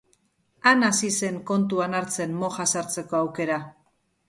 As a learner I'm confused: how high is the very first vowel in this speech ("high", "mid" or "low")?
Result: low